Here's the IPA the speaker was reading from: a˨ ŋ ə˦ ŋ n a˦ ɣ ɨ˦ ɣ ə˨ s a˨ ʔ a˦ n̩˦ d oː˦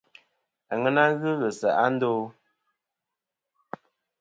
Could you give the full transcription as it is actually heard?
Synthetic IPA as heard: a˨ ŋ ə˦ n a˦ ɣ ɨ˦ ɣ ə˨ s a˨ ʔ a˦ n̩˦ d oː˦